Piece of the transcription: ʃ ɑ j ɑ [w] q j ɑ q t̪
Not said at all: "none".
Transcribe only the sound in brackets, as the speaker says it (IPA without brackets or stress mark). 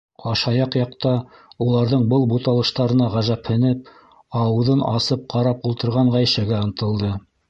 none